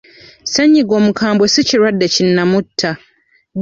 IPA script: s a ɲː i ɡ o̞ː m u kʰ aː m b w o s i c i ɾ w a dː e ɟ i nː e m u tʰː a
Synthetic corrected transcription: s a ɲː i ɡ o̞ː m u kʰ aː m b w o s i c i ɾ w a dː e c i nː a m u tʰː a